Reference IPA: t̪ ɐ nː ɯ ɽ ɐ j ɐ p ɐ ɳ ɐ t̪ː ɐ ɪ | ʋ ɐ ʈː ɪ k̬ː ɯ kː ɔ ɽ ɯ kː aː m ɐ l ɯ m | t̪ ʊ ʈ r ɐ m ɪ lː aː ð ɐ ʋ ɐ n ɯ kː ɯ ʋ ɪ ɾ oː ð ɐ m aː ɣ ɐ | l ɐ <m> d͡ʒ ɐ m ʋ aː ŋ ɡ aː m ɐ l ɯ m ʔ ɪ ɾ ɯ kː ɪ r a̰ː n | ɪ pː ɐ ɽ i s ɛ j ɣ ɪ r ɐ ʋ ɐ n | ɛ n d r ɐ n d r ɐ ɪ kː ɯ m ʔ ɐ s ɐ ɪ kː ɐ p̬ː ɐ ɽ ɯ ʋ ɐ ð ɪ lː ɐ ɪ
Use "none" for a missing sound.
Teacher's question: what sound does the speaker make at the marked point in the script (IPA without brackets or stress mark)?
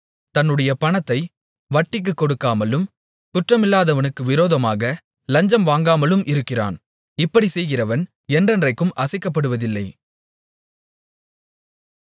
ɲ